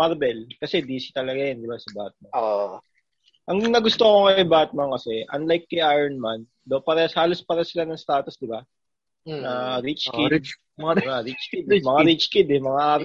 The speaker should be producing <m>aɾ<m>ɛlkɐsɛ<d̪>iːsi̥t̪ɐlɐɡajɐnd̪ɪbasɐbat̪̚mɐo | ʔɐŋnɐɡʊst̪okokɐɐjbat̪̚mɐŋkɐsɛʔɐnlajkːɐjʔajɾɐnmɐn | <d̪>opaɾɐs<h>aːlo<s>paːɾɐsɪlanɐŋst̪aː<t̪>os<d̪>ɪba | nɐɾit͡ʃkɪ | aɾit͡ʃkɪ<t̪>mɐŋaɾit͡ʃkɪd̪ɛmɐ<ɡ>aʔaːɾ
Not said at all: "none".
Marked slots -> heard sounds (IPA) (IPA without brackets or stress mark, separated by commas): m, b, d̪, d̪, h, s, t̪, d̪, d̪, ŋ